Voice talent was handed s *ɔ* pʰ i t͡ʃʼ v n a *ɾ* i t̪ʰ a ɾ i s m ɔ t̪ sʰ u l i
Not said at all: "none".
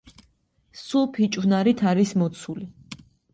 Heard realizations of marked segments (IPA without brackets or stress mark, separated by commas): u, ɾ